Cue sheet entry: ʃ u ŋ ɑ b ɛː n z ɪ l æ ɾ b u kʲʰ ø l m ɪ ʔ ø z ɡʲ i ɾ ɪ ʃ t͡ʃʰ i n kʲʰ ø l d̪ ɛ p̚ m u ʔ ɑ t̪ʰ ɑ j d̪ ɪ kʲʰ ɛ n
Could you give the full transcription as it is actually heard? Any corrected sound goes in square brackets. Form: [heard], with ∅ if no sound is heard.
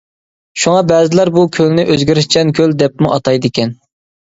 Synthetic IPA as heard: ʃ u ŋ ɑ b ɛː [∅] z ɪ l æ ɾ b u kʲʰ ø l [n] ɪ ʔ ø z ɡʲ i ɾ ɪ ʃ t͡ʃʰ [ɛ] n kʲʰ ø l d̪ ɛ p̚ m u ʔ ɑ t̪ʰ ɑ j d̪ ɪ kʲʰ ɛ n